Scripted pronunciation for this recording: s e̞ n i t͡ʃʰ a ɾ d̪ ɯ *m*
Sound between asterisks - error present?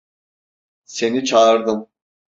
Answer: no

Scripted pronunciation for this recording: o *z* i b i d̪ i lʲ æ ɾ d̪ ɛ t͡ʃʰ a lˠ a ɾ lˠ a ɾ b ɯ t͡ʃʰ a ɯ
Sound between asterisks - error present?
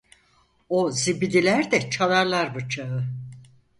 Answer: no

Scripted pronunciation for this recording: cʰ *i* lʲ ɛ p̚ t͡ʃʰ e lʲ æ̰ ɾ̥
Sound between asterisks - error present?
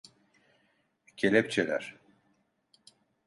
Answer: yes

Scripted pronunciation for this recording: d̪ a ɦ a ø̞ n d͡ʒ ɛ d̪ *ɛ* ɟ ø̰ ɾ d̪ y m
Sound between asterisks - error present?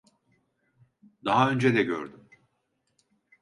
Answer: no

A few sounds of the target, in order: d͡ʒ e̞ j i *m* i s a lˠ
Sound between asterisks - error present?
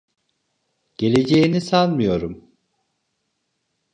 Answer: yes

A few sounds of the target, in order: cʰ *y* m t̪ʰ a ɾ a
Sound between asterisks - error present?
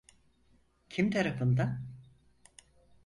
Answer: yes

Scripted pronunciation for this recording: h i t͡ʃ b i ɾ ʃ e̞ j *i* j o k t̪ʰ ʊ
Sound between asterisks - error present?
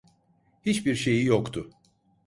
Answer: no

